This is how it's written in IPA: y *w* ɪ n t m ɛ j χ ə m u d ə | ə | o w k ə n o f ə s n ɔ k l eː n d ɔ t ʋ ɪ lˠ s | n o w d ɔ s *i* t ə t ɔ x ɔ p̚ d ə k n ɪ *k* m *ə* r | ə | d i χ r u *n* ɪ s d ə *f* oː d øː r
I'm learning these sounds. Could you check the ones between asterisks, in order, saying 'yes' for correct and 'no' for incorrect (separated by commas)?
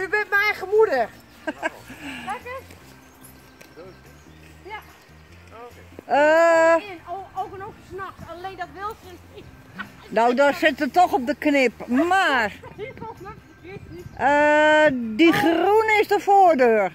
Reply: no, no, no, no, yes, yes